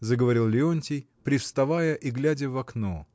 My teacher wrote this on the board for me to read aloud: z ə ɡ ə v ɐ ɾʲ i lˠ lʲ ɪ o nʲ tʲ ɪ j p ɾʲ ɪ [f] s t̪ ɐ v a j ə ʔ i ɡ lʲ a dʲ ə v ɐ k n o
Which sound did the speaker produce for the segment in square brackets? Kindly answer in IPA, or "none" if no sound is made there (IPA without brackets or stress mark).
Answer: f